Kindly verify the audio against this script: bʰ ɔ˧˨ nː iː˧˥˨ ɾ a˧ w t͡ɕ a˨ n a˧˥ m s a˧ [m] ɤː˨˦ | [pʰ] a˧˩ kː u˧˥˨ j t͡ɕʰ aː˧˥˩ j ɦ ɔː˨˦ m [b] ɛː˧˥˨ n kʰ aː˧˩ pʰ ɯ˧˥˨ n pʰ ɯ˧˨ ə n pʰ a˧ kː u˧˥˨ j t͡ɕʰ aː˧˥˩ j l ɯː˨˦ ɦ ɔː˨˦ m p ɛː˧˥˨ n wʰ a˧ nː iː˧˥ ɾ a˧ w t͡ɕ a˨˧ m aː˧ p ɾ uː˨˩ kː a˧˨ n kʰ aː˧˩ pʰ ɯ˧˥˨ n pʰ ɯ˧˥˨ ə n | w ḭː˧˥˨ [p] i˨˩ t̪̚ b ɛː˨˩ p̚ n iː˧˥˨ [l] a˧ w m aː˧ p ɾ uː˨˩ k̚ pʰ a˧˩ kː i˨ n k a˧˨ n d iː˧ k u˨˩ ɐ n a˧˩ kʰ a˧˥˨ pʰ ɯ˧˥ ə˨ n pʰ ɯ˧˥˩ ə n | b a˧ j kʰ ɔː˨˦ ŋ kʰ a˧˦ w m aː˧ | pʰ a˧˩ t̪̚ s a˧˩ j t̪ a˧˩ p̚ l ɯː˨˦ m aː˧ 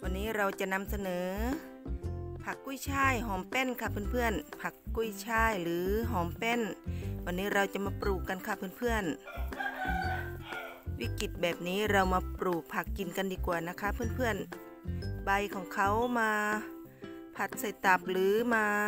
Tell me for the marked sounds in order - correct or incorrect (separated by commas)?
incorrect, correct, incorrect, incorrect, incorrect